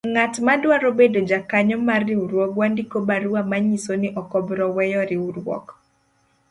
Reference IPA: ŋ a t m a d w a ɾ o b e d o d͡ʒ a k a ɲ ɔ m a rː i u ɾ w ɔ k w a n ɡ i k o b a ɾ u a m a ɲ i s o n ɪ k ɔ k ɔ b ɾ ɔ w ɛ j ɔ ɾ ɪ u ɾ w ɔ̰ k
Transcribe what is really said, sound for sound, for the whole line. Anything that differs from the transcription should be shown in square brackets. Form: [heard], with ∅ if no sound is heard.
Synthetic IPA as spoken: ŋ a t m a d w a ɾ o b e d o d͡ʒ a k a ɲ ɔ m a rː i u ɾ w ɔ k w a n [d] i k o b a ɾ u a m a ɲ i s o n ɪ [ʔ] ɔ k ɔ b ɾ ɔ w ɛ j ɔ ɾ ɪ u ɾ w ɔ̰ k

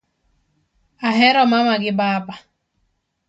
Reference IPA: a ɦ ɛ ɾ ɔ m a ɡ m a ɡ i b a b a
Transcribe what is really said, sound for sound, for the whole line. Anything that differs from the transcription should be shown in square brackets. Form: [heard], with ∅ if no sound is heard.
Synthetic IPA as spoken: a ɦ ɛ ɾ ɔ m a [∅] m a ɡ [ɪ] b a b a

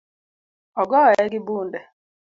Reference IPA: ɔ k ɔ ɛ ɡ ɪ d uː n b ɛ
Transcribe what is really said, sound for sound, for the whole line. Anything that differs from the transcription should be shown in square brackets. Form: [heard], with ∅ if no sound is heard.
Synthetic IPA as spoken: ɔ [ɡ] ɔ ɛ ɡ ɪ [b] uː n [d] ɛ

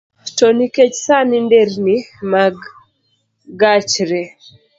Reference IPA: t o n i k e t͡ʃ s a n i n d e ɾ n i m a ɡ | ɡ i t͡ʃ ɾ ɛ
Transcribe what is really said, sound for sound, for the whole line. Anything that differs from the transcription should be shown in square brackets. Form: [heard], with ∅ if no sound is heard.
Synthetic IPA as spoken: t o n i k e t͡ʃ s a n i n d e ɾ n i m a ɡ | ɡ [a] t͡ʃ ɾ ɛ

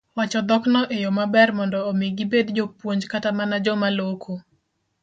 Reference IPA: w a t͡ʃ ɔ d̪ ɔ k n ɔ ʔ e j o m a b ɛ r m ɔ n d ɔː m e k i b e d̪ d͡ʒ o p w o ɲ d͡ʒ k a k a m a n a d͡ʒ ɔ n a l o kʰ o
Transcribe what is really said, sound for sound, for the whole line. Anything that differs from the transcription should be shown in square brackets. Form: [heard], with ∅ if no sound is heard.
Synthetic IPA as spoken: w a t͡ʃ ɔ d̪ ɔ k n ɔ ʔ e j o m a b ɛ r m ɔ n d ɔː m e [ɡ] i b e d̪ d͡ʒ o p w o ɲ d͡ʒ k a [t] a m a n a d͡ʒ ɔ [m] a l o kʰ o

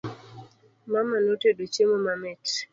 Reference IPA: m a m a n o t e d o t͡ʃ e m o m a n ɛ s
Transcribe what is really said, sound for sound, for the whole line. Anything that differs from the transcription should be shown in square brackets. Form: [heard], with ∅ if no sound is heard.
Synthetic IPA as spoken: m a m a n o t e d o t͡ʃ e m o m a [m] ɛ [t]

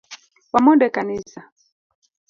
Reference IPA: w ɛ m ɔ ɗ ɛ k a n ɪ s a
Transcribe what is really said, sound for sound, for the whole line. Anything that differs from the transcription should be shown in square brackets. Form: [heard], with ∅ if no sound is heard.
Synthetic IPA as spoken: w [a] m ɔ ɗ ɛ k a n [i] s a

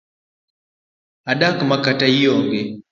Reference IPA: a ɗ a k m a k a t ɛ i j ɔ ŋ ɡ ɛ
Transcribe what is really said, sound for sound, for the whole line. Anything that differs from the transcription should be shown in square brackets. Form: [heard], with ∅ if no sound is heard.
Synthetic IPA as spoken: a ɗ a k m a k a t [a] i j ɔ ŋ ɡ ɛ

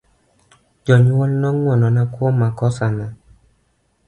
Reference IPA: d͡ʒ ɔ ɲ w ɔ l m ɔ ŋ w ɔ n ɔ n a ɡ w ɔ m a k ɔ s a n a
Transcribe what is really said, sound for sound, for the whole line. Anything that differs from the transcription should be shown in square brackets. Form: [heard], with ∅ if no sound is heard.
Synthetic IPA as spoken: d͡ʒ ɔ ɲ w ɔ l [n] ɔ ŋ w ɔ n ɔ n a [k] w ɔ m a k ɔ s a n a

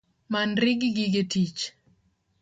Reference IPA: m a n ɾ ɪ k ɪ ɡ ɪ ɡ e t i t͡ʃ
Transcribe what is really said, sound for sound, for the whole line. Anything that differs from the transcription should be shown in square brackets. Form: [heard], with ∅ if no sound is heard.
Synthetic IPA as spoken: m a n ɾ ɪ [ɡ] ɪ ɡ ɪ ɡ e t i t͡ʃ

